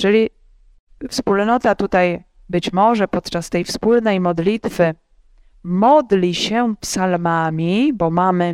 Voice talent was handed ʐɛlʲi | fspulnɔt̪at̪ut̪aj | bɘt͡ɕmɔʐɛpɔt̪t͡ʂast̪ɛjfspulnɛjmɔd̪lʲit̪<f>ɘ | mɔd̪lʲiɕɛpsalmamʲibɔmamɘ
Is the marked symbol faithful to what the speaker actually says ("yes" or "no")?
yes